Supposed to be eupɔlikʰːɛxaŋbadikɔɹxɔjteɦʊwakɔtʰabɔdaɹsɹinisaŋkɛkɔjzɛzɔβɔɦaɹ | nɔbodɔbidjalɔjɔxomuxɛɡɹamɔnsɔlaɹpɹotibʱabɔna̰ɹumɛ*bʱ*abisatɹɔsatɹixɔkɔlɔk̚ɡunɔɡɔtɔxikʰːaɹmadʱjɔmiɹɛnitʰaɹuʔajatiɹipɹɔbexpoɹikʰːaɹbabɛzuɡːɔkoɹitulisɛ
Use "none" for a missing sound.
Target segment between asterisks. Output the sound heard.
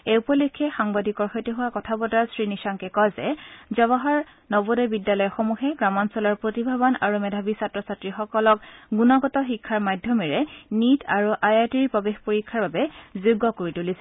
dʱ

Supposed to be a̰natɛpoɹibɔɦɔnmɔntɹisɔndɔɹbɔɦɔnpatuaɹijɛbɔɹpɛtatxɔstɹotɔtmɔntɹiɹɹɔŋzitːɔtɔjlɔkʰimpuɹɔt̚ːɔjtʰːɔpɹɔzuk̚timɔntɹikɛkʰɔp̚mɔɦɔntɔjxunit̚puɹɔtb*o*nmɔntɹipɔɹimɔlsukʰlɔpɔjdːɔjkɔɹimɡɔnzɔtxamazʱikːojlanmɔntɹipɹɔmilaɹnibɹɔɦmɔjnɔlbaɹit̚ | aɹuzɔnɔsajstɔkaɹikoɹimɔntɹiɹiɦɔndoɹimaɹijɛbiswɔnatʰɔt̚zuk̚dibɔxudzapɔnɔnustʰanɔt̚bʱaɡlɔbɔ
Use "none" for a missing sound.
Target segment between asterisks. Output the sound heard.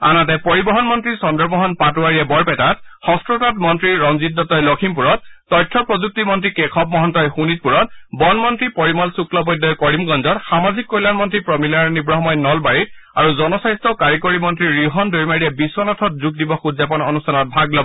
ɔ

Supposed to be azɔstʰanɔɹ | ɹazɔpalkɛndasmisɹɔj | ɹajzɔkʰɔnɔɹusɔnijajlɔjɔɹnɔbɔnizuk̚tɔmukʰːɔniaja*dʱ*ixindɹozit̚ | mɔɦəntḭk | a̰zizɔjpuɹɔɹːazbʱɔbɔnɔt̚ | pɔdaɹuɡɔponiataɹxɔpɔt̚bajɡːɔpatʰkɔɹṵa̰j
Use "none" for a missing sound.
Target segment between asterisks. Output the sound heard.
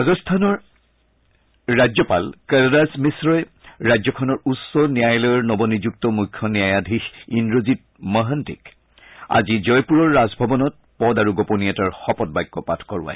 dʱ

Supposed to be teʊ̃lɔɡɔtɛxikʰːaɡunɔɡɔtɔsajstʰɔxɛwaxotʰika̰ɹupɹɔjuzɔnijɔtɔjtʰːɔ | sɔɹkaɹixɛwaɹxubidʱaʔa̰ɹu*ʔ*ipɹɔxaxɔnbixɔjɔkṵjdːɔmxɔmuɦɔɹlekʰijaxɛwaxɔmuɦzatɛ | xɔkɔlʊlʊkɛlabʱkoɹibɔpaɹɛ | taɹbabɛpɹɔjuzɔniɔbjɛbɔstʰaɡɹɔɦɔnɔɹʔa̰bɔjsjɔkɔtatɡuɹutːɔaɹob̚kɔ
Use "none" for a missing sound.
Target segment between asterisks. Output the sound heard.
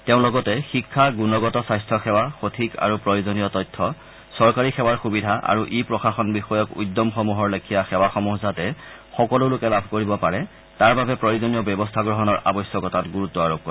ʔ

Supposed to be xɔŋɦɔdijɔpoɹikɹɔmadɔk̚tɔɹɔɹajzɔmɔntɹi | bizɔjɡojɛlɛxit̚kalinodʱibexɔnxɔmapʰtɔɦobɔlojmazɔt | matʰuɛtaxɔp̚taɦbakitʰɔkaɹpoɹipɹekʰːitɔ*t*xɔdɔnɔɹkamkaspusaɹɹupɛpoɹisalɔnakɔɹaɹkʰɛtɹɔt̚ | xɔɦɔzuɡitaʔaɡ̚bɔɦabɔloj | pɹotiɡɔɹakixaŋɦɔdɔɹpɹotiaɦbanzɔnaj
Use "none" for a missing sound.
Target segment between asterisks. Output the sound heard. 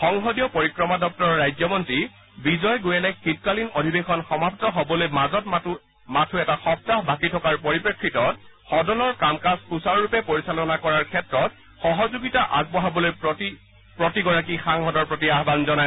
t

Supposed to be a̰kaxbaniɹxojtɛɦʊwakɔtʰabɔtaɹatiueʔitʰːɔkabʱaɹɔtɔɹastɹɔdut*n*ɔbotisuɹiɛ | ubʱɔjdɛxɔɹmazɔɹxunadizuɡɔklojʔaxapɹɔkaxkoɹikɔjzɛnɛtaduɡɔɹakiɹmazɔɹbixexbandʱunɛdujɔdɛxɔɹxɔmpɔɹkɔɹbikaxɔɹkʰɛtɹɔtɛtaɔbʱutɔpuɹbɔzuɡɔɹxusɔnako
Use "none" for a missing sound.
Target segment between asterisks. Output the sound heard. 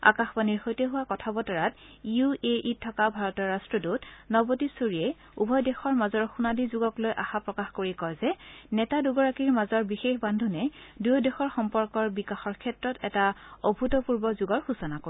n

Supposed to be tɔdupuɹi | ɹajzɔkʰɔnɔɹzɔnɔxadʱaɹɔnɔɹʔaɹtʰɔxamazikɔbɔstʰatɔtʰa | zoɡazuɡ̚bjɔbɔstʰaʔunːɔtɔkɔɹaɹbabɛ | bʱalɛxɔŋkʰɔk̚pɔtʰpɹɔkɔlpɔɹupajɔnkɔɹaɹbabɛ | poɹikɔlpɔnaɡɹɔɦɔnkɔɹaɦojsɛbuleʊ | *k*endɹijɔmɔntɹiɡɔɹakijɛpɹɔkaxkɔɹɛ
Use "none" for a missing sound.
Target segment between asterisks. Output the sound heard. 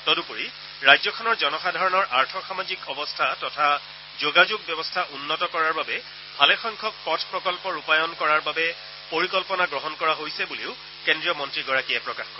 k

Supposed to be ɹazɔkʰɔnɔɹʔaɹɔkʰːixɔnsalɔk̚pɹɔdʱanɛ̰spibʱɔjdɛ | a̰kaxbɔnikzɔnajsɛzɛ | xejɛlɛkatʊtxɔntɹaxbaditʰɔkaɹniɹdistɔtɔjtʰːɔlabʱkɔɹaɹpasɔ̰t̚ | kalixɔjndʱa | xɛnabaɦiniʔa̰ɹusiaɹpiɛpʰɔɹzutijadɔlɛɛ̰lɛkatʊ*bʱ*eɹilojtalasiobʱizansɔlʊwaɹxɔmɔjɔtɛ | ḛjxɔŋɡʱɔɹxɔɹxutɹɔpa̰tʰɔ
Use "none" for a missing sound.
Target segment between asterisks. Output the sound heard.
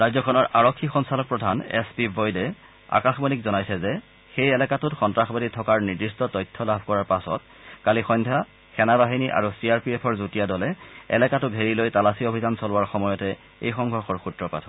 ɡʱ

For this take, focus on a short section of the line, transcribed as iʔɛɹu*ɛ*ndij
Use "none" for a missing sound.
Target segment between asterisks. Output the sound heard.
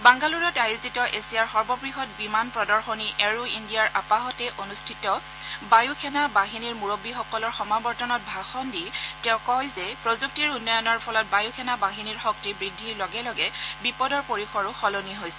i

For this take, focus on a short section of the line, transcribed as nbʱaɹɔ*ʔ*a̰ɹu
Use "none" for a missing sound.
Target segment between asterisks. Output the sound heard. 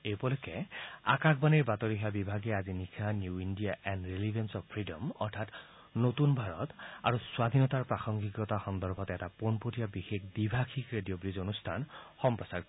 t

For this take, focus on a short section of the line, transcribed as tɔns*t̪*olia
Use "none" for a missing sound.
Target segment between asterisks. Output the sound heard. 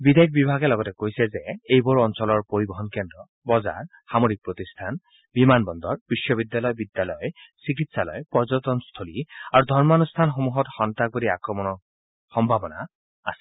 t̪ʰ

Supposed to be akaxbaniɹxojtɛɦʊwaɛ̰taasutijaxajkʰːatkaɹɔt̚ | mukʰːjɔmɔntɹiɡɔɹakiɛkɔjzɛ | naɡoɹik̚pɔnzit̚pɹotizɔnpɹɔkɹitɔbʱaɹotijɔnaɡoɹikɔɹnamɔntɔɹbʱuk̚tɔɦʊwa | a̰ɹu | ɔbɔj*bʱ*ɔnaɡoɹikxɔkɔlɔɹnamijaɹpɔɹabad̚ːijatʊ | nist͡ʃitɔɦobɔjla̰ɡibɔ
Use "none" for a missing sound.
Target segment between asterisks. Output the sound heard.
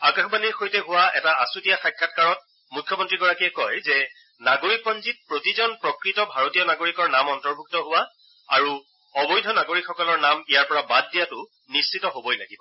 dʱ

